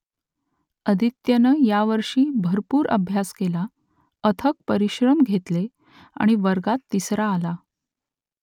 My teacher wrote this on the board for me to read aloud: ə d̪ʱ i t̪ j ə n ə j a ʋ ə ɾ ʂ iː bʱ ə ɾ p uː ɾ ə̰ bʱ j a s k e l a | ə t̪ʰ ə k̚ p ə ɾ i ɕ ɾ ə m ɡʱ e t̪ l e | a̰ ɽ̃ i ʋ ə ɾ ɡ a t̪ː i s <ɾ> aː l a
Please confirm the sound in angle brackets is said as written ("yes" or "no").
yes